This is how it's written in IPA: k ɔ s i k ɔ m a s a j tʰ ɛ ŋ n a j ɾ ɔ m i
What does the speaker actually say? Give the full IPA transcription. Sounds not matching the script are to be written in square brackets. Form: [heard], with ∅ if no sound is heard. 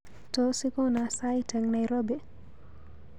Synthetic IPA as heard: [t] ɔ s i k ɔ [n] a s a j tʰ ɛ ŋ n a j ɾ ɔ [b] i